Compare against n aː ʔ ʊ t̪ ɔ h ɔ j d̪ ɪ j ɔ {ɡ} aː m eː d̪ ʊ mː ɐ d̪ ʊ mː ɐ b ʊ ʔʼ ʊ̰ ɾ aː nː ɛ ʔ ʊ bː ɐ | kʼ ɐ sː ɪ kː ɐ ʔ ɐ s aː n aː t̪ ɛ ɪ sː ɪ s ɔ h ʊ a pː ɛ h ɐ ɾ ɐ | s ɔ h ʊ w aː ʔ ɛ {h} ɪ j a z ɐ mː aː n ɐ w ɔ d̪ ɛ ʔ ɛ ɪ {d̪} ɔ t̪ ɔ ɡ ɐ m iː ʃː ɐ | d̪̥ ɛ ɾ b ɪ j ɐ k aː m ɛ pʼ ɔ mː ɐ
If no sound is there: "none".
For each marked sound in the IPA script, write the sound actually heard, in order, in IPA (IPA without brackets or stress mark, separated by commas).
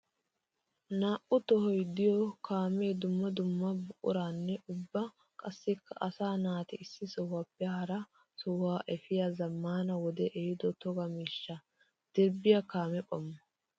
k, f, d̪